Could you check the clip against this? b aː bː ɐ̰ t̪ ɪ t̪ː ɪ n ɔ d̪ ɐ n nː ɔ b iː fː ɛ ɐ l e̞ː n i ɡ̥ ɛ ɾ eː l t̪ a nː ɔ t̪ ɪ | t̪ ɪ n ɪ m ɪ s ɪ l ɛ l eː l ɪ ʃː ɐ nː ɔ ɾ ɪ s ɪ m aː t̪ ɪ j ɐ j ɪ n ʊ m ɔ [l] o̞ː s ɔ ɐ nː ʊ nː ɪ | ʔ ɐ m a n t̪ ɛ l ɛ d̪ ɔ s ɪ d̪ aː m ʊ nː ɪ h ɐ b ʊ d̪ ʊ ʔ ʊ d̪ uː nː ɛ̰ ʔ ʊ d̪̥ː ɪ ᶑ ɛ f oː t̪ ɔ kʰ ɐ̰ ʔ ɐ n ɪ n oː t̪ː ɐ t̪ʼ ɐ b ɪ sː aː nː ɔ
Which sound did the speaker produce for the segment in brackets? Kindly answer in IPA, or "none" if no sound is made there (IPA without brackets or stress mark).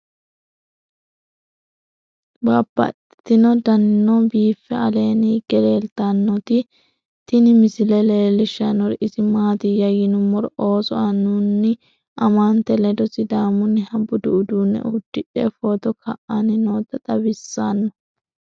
ɾ